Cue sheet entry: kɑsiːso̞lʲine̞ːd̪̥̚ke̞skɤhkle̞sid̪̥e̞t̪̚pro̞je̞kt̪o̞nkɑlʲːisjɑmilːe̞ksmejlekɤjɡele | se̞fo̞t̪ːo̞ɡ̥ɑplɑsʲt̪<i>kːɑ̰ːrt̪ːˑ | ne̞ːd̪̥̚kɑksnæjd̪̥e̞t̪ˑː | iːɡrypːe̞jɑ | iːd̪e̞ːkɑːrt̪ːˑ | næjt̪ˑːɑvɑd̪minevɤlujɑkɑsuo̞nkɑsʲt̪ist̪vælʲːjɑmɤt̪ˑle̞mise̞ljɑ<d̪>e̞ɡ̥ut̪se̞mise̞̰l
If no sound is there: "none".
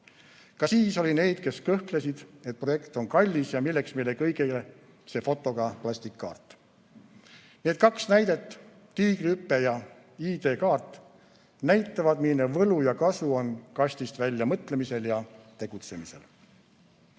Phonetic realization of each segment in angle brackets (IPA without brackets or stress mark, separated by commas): i, t̪